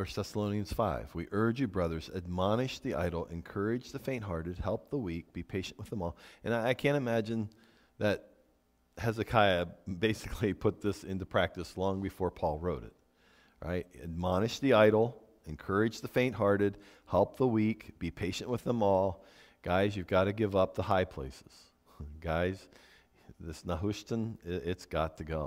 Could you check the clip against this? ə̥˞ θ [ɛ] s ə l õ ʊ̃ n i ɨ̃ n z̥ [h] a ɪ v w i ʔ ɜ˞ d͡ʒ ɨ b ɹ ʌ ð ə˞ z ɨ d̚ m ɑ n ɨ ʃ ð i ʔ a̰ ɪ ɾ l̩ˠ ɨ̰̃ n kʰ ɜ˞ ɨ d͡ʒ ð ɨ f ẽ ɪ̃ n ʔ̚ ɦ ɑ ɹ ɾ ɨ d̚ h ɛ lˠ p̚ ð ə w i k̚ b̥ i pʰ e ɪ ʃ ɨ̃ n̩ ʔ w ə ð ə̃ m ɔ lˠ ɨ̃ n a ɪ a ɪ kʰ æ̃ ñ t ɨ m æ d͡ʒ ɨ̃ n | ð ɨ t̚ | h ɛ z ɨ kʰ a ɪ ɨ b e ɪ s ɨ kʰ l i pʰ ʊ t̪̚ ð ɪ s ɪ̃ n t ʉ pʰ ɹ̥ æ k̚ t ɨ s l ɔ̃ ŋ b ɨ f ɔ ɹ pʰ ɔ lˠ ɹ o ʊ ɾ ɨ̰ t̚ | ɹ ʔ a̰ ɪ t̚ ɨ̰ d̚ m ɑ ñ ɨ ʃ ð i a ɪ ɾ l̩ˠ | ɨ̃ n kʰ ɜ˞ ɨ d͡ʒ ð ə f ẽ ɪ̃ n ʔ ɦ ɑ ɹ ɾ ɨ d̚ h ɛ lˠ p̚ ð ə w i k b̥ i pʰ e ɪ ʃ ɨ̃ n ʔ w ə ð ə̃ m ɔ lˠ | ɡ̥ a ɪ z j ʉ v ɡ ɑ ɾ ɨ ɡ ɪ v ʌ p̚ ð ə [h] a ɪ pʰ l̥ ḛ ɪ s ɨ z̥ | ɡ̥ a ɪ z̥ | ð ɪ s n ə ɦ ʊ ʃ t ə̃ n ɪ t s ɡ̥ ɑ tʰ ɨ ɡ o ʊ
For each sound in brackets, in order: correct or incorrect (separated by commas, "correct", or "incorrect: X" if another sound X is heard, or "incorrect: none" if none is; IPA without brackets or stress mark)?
correct, incorrect: f, correct